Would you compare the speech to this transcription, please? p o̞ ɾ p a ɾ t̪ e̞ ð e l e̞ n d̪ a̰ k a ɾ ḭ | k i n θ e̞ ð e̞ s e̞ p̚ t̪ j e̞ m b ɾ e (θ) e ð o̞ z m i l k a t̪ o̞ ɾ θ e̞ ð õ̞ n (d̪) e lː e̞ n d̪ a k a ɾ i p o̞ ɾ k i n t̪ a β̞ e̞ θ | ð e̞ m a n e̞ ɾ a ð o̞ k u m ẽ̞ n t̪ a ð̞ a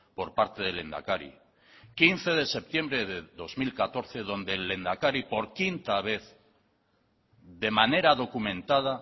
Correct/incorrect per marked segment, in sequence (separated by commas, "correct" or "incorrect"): incorrect, correct